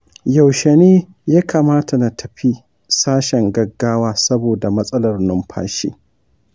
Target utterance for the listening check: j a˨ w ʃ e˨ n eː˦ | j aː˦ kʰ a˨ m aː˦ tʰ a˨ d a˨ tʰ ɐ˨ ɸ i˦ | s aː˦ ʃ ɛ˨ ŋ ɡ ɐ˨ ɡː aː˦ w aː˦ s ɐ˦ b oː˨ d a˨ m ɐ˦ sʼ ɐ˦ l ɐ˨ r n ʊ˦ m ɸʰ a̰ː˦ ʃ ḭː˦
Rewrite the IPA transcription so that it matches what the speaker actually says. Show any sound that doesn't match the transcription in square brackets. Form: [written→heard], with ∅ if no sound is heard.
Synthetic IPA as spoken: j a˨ w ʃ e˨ n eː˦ | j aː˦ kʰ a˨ m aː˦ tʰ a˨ [d→n] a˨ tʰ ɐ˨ ɸ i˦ | s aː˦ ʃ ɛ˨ ŋ ɡ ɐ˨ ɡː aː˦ w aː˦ s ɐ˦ b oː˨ d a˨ m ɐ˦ sʼ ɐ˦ l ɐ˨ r n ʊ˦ m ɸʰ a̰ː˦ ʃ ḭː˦